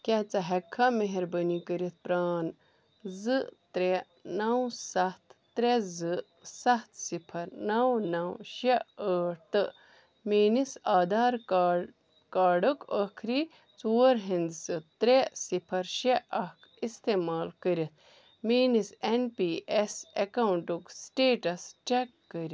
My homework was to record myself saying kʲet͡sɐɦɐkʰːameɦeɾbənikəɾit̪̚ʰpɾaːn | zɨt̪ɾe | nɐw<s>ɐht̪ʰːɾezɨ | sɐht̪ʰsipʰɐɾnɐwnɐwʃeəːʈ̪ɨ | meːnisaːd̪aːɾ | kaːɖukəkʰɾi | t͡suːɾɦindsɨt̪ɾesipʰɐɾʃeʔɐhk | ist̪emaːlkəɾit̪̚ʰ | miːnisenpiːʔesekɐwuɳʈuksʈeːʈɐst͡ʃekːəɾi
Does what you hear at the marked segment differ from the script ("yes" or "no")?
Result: no